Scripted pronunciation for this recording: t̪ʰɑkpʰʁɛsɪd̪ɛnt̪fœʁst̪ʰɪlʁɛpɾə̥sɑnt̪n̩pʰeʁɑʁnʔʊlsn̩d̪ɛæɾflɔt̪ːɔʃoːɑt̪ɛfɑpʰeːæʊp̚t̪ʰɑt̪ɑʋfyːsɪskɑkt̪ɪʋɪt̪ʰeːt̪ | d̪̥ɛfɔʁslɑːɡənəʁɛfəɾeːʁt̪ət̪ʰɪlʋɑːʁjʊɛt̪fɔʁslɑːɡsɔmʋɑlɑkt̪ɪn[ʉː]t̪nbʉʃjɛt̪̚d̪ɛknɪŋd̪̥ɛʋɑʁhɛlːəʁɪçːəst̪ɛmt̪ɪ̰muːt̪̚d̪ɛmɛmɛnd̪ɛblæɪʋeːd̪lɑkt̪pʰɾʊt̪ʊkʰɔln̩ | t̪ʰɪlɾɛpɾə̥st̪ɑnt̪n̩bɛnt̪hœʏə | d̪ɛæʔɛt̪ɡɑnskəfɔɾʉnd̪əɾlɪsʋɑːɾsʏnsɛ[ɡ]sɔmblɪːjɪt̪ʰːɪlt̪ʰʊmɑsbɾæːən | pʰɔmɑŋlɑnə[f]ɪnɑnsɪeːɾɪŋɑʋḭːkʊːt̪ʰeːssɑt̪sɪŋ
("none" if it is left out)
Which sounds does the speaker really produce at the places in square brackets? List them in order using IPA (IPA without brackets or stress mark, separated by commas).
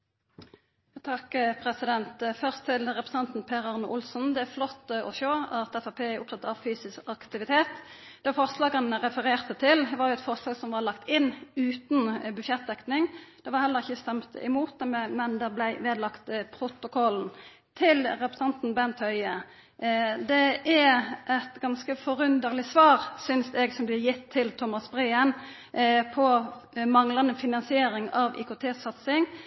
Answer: ʉː, ɡ, f